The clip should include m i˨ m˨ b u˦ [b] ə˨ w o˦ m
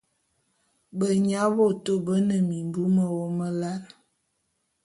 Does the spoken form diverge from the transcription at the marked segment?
yes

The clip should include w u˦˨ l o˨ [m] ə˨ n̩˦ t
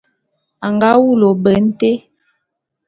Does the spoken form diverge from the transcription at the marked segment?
yes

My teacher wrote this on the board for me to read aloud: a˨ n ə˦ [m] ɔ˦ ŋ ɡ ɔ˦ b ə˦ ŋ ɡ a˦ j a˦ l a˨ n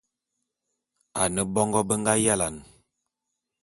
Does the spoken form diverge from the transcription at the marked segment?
yes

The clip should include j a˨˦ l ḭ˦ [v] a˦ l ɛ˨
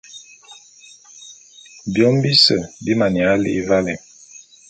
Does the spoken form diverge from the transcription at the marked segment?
no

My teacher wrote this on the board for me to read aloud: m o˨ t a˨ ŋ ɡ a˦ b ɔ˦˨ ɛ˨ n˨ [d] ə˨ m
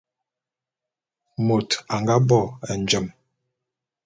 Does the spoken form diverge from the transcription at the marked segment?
yes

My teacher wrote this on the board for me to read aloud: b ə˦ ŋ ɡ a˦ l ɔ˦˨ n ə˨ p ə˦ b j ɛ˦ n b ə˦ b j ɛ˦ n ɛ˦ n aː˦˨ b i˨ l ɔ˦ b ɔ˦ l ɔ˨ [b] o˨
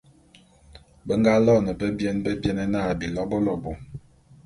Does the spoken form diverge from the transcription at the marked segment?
no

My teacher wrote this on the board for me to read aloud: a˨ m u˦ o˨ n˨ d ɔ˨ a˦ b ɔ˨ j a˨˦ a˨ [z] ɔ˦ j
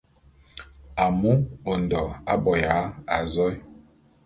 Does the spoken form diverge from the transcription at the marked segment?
no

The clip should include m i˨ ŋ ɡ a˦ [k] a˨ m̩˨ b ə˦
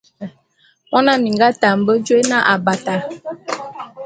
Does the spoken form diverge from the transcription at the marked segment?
yes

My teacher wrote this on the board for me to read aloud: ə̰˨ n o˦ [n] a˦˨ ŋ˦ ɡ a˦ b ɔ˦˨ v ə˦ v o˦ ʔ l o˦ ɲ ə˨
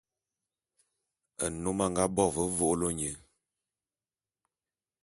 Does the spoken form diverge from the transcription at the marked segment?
yes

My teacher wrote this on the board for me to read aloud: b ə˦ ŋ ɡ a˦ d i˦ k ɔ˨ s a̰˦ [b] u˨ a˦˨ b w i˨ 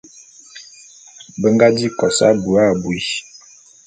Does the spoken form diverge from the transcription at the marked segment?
no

